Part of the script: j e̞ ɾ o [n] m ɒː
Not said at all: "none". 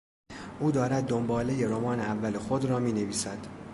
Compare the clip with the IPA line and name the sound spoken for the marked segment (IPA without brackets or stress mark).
none